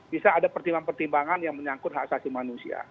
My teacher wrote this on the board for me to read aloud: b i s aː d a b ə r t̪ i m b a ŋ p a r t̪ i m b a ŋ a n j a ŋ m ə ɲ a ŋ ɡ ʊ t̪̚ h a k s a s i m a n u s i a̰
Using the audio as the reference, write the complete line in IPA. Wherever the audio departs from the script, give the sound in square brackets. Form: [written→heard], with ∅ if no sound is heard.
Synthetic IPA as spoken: b i s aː d a [b→p] ə r t̪ i m b a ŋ p [a→ə] r t̪ i m b a ŋ a n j a ŋ m ə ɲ a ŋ [ɡ→k] ʊ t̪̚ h a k s a s i m a n u s i a̰